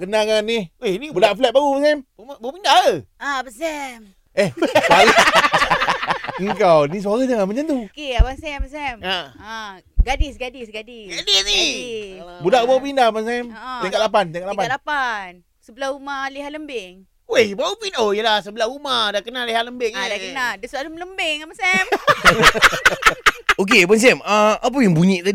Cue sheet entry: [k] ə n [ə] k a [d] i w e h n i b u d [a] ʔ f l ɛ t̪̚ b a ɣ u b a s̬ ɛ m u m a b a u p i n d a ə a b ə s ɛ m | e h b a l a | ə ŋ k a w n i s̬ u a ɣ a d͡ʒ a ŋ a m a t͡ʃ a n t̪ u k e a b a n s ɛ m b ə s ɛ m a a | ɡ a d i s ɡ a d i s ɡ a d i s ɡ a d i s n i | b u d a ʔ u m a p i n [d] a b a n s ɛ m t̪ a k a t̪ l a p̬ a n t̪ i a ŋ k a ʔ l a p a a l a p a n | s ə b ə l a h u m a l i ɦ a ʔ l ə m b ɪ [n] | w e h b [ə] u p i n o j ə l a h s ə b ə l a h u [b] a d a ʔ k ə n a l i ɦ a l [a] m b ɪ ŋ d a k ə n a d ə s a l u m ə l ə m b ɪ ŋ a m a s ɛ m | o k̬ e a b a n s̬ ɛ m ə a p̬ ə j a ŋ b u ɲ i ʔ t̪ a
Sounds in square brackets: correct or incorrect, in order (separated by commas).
correct, incorrect, incorrect, correct, correct, incorrect, incorrect, incorrect, incorrect